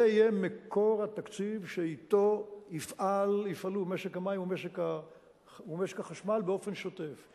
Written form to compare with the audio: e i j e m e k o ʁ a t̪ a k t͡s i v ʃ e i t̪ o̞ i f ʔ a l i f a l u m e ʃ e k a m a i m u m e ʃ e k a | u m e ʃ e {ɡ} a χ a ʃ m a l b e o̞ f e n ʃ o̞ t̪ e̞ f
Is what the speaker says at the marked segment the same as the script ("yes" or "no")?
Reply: no